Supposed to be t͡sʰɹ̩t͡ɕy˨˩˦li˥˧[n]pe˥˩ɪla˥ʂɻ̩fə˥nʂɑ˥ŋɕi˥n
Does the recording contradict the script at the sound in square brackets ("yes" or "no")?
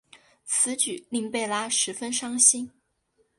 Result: yes